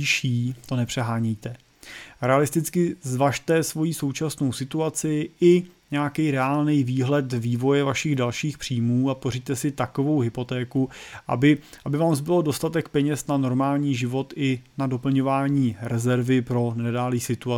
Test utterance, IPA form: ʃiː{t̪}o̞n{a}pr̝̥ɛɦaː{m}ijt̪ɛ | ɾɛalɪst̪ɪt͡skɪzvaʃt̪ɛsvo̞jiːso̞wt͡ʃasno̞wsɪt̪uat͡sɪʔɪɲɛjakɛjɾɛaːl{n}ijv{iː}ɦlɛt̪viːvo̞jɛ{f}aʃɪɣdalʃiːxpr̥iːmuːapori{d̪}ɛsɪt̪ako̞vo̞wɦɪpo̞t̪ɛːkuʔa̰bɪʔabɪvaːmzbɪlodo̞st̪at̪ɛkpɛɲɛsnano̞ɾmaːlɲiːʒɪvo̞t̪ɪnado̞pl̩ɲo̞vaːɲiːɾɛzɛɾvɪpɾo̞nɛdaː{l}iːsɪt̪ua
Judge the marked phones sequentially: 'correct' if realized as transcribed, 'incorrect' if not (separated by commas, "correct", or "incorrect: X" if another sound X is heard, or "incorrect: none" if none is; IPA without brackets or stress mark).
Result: correct, incorrect: ɛ, incorrect: ɲ, correct, correct, incorrect: v, incorrect: t̪, correct